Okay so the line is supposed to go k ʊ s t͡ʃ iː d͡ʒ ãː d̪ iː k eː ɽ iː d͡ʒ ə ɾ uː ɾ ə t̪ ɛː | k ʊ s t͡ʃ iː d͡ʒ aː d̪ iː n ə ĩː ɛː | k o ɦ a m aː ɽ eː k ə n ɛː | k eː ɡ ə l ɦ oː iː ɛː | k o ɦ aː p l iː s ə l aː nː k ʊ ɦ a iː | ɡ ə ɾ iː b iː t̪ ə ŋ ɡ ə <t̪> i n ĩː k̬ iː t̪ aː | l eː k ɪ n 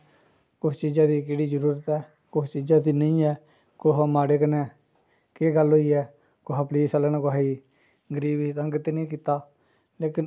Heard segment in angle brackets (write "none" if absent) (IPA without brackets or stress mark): t̪